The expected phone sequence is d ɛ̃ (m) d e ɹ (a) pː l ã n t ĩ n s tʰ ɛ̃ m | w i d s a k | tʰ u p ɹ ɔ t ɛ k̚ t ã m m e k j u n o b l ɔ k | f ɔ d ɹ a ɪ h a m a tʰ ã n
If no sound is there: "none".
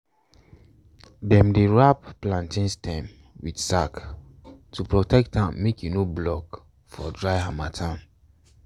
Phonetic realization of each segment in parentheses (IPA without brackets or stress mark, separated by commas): m, a